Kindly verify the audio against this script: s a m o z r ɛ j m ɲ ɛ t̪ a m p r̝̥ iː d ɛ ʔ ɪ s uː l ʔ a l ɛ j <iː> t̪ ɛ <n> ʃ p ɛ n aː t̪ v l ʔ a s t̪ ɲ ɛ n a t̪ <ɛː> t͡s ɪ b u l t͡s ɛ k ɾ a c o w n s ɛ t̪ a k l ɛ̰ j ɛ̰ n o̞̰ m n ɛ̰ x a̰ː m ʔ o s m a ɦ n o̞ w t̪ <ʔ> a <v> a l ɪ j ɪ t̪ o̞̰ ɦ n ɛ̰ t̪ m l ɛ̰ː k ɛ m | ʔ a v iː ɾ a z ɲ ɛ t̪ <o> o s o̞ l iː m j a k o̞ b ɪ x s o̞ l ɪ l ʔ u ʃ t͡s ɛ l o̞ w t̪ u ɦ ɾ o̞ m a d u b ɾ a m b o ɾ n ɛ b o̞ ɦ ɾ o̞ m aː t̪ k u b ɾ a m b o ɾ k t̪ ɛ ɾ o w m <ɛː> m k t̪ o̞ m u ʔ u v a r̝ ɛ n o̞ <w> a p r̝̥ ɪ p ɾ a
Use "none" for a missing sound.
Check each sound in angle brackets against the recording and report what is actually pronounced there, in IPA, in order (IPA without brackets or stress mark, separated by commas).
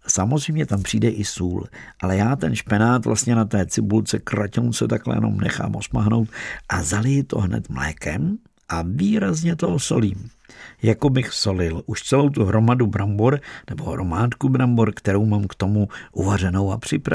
aː, n, ɛː, ʔ, z, o, aː, w